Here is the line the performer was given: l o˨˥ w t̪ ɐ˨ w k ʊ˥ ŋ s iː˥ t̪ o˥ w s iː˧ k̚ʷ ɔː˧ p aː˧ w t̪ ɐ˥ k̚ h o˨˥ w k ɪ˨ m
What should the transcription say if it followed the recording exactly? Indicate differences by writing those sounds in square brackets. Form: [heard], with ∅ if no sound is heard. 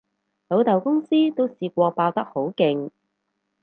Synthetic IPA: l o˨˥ w t̪ ɐ˨ w k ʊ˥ ŋ s iː˥ t̪ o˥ w s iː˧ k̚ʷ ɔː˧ p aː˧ w t̪ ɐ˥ k̚ h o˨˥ w k ɪ˨ [ŋ]